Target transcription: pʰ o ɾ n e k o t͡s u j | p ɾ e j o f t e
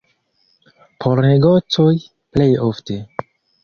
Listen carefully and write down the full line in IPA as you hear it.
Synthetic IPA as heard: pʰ o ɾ n e ɡ o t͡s o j | p l e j o f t e